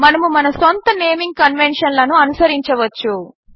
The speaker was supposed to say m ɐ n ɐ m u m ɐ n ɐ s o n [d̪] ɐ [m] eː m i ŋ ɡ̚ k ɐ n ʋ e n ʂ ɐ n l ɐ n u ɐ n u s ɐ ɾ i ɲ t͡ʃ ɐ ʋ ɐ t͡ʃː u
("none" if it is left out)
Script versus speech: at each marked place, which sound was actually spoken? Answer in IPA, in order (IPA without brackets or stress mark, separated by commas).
t̪, n